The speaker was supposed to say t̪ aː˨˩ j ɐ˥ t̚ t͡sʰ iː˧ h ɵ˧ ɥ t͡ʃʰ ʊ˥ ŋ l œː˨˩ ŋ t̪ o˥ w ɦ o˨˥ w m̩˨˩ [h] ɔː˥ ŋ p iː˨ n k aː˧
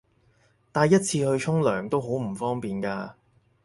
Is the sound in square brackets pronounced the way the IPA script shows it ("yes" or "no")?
no